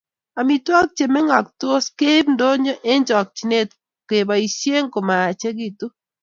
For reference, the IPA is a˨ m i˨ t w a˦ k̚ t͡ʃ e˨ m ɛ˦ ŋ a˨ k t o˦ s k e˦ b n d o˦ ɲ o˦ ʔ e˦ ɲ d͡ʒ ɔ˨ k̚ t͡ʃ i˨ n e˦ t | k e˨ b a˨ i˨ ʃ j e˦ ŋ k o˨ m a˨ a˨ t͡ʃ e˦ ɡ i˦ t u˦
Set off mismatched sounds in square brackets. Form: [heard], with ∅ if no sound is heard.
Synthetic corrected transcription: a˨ m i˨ t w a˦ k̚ t͡ʃ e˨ m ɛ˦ ŋ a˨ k t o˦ s k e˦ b n d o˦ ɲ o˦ ʔ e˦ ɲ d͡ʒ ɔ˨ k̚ t͡ʃ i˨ n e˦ t | k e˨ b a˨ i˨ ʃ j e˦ ŋ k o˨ m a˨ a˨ t͡ʃ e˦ ɡ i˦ t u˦